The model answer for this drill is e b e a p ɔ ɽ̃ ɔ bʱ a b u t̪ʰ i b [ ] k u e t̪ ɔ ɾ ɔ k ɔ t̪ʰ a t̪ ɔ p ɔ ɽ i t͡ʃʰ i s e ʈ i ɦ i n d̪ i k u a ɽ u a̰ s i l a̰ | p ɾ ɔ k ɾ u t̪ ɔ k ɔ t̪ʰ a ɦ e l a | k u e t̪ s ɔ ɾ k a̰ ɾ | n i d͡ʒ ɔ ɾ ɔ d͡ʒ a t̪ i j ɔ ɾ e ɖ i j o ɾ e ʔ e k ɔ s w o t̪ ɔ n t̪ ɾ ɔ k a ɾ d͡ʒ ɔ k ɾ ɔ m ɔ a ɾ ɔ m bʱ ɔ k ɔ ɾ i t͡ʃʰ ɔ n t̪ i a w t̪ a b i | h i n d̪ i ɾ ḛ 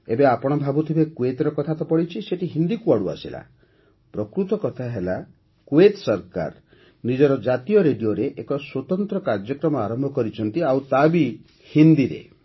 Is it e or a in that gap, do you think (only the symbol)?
e